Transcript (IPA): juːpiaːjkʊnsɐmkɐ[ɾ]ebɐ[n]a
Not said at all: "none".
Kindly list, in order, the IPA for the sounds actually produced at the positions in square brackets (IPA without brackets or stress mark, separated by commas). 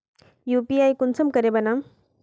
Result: ɾ, n